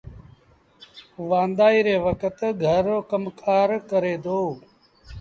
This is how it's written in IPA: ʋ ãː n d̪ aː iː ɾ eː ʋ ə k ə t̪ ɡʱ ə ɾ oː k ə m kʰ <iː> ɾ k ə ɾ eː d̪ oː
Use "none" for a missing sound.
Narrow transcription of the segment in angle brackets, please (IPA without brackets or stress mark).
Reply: aː